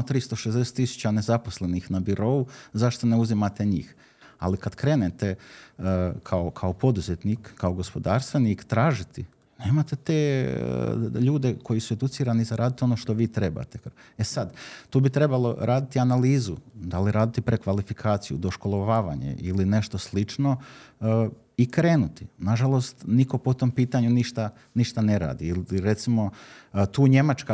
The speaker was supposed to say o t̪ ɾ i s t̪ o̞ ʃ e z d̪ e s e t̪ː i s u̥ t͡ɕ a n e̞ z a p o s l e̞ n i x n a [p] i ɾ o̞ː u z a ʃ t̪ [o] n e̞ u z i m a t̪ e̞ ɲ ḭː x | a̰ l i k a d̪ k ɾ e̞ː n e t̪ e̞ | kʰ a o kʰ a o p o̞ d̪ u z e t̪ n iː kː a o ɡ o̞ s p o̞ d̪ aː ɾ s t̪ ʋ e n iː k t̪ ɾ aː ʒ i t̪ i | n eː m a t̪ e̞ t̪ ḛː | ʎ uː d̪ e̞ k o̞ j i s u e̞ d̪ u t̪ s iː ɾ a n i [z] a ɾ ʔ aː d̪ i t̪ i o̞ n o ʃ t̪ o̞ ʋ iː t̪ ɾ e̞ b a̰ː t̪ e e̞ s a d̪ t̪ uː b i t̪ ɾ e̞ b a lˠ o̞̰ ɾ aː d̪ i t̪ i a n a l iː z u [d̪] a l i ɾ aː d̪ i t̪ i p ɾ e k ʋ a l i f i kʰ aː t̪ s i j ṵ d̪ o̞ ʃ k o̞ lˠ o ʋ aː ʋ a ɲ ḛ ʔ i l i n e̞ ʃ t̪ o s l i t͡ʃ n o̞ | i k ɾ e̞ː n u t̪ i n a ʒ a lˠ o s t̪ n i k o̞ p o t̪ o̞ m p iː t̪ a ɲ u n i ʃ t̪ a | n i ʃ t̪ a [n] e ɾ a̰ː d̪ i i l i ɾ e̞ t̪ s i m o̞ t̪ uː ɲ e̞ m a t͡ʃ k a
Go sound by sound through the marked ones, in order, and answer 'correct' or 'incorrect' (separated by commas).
incorrect, correct, correct, correct, correct